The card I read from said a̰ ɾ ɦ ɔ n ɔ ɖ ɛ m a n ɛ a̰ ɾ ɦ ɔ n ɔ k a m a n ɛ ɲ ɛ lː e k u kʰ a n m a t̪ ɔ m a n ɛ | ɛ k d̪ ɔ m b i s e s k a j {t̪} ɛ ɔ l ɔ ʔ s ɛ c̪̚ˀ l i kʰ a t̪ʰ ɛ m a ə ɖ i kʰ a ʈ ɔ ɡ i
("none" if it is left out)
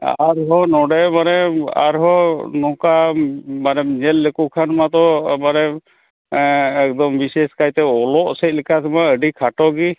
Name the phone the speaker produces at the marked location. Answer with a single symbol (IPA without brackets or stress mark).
t̪